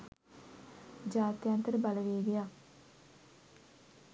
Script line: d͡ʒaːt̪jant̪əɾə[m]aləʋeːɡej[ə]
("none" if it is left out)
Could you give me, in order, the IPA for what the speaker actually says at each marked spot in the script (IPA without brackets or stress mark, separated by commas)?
b, a